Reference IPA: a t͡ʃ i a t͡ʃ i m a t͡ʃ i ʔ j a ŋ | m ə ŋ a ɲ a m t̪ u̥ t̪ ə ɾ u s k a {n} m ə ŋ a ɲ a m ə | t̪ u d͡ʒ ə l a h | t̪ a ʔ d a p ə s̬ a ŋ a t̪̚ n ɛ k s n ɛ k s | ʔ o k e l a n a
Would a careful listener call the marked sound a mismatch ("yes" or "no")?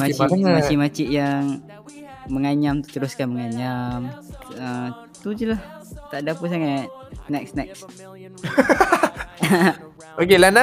no